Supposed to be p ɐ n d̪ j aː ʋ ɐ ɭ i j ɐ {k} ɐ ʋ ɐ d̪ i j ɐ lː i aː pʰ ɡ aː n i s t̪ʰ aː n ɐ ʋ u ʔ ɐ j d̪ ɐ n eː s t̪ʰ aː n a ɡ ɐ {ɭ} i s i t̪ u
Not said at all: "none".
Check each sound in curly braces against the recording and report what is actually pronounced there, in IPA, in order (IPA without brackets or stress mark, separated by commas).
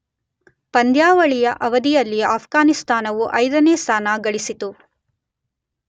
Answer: ʔ, ɭ